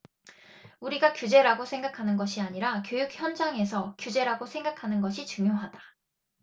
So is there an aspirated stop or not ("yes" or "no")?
yes